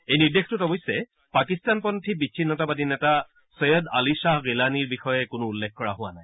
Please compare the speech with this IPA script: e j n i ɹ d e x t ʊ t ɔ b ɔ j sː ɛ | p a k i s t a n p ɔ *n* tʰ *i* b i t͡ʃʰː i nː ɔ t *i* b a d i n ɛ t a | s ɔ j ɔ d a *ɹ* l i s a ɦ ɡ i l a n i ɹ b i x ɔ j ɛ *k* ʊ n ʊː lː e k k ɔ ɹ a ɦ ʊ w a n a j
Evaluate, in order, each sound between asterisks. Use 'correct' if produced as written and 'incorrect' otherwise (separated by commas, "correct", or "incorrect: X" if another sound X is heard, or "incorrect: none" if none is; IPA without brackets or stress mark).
correct, correct, incorrect: a, incorrect: none, correct